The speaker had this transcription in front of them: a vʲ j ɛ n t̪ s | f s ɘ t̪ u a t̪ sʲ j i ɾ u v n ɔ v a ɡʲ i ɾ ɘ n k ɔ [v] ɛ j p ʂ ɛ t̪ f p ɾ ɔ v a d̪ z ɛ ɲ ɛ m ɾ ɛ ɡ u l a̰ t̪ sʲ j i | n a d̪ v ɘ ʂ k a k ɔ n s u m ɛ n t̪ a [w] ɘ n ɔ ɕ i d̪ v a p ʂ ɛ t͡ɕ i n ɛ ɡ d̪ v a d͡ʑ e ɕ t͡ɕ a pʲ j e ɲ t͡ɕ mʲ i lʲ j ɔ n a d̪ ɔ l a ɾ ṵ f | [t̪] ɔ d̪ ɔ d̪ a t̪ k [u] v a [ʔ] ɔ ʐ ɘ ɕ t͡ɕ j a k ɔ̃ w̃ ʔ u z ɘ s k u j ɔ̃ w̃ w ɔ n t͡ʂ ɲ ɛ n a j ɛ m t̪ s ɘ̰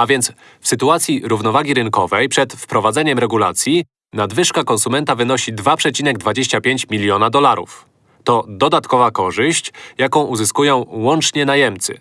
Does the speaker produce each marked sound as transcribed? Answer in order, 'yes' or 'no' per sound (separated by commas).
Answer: yes, no, yes, no, no